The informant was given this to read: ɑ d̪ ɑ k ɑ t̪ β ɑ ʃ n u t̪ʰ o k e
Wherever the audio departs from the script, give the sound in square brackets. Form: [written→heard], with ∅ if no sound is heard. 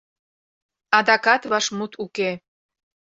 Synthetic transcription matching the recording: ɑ d̪ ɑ k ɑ t̪ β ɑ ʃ [n→m] u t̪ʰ [o→u] k e